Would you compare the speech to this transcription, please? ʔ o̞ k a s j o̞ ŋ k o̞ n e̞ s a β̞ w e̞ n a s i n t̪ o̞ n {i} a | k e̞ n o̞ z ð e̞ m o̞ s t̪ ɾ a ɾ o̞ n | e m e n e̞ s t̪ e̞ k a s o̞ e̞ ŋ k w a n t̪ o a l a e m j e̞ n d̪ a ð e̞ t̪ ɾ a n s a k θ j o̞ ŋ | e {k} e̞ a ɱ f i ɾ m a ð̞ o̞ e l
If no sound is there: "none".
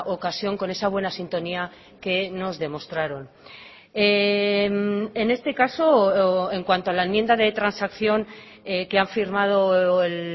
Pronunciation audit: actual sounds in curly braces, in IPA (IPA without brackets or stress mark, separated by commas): i, k